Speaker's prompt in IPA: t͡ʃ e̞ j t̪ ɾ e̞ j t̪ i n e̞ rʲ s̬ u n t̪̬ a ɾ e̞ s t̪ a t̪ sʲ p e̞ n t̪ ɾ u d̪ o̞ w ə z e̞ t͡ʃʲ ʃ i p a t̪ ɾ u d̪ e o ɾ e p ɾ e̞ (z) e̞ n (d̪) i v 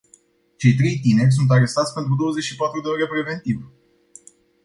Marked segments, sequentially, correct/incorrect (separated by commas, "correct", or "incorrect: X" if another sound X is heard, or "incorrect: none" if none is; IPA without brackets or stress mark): incorrect: v, incorrect: t̪